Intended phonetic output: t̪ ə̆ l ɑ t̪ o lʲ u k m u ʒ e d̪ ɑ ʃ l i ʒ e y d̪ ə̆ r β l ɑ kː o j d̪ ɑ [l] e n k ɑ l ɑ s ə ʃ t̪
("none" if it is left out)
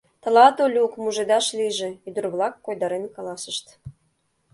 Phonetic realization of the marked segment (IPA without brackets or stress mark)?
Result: ɾ